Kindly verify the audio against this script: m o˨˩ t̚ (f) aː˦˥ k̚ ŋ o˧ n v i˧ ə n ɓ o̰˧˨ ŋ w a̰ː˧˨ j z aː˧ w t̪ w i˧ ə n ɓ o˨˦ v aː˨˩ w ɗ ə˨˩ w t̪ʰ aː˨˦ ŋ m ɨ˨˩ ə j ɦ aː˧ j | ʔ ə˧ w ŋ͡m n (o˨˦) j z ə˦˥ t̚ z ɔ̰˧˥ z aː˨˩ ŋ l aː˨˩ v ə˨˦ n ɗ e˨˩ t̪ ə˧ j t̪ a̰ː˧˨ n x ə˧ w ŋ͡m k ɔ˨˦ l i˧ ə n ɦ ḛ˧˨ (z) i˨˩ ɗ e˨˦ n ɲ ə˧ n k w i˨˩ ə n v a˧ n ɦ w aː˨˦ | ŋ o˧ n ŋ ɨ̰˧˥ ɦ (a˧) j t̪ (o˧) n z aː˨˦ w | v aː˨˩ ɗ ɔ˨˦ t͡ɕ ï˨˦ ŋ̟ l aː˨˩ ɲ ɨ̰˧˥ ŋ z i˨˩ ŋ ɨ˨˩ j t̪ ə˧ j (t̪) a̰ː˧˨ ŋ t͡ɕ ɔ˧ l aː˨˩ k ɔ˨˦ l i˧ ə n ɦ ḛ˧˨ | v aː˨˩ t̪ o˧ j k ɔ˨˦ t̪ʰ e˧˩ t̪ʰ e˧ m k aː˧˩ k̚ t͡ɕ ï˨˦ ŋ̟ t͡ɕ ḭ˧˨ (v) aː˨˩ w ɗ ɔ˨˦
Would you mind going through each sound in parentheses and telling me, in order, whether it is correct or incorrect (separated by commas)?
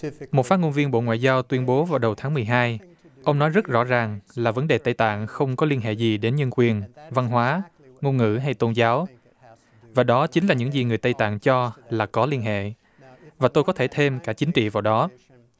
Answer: correct, incorrect, correct, correct, correct, correct, correct